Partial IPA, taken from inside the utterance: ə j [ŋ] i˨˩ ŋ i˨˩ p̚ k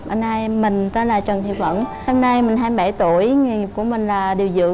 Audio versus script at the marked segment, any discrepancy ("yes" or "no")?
no